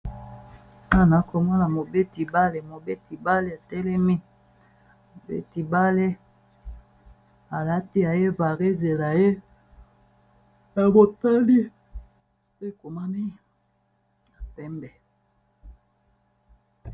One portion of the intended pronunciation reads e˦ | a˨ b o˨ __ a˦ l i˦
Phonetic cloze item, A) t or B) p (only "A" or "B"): A